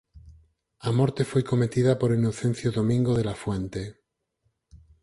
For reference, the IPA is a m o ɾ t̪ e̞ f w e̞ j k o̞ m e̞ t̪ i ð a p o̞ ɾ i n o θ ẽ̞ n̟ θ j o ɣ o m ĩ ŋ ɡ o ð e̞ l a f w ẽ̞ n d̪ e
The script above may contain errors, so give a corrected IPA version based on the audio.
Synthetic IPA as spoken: a m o ɾ t̪ e̞ f w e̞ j k o̞ m e̞ t̪ i ð a p o̞ ɾ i n o θ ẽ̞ n̟ θ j o ð o m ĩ ŋ ɡ o ð e̞ l a f w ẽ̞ n t̪ e